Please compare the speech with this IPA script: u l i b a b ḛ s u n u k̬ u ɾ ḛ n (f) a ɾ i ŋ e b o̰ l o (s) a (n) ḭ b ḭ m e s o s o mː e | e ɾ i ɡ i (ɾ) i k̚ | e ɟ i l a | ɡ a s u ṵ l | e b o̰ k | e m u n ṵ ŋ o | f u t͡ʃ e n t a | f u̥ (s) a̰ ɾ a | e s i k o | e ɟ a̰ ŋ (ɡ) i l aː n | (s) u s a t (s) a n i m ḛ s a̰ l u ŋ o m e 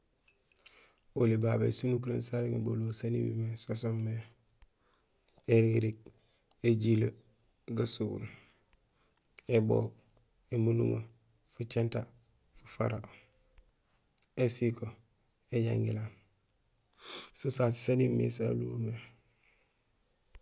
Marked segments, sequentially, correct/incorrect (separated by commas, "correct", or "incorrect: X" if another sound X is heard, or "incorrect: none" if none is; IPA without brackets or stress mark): incorrect: s, correct, correct, correct, incorrect: f, correct, correct, correct